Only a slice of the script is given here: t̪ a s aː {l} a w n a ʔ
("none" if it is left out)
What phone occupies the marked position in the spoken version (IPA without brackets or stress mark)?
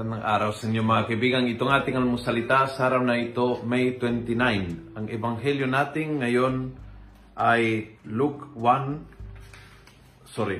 ɾ